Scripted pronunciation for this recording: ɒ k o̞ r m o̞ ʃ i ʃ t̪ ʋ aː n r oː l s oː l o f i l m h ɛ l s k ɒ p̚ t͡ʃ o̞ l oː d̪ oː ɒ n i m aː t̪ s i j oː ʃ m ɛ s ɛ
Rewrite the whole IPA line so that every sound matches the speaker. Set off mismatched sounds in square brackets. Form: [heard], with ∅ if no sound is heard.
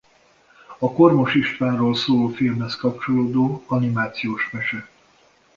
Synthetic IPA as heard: ɒ k o̞ r m o̞ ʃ i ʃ t̪ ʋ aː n r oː l s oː l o f i l m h ɛ [∅] s k ɒ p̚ t͡ʃ o̞ l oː d̪ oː ɒ n i m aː t̪ s i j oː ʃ m ɛ [ʃ] ɛ